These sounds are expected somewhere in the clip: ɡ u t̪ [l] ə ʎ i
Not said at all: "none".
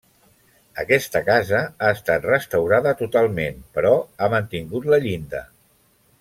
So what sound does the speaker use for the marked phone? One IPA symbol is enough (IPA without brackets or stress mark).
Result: l